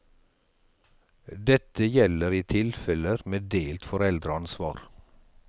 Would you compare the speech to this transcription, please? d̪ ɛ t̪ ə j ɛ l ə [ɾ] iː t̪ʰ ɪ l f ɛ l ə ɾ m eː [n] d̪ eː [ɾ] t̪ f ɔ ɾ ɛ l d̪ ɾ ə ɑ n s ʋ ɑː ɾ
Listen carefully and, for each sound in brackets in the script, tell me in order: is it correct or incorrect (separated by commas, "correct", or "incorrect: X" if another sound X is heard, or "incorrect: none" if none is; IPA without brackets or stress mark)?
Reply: correct, incorrect: none, incorrect: l